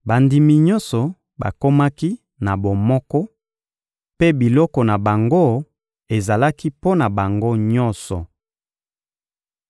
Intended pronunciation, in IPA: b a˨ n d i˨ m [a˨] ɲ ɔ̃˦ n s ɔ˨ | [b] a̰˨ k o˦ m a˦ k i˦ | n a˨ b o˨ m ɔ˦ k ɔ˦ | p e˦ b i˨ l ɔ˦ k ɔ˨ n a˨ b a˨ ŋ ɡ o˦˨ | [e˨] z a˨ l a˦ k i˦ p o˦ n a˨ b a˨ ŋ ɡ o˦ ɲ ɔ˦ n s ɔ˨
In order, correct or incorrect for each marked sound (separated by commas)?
incorrect, correct, correct